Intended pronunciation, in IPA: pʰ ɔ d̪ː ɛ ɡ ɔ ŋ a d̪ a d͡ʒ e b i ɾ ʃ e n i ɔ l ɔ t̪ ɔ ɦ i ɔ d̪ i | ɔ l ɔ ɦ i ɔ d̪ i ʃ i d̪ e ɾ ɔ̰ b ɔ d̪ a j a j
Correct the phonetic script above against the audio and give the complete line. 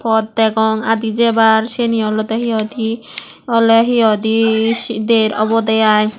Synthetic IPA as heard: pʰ ɔ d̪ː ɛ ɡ ɔ ŋ a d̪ i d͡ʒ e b a ɾ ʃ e n i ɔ l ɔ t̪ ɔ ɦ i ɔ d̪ i | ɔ l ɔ ɦ i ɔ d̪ i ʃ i d̪ e ɾ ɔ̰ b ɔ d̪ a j a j